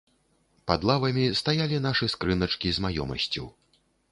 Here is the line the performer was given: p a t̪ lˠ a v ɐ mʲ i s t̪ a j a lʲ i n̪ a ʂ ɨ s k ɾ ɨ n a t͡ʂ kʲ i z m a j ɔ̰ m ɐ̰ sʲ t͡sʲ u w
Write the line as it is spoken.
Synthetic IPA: p a d̪ lˠ a v ɐ mʲ i s t̪ a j a lʲ i n̪ a ʂ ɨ s k ɾ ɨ n ɐ t͡ʂ kʲ i z m a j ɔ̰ m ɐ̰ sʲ t͡sʲ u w